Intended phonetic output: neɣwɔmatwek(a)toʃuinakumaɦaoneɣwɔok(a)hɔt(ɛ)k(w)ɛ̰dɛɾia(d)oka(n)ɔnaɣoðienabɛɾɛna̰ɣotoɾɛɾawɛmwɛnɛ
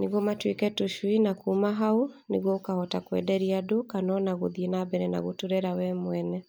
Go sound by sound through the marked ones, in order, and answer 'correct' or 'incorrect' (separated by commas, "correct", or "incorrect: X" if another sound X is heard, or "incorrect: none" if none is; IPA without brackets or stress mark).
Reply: incorrect: ɛ, correct, incorrect: a, correct, correct, correct